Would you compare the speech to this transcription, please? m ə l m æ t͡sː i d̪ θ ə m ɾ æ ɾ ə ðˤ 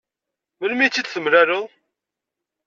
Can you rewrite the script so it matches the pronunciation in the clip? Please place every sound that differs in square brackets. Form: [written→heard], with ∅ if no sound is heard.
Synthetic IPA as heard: m ə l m [æ→i] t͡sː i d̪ θ ə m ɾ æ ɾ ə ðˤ